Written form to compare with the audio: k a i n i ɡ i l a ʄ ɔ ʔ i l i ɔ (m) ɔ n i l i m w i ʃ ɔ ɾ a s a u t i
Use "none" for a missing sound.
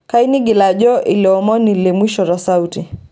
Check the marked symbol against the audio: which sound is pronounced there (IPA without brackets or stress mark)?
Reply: m